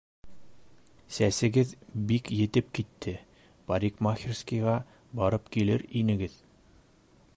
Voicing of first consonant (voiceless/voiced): voiceless